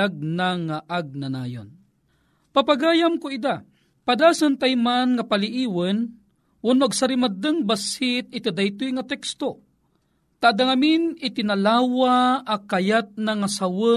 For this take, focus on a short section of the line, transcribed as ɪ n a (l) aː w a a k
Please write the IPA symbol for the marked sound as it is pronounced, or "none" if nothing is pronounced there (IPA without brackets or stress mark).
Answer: l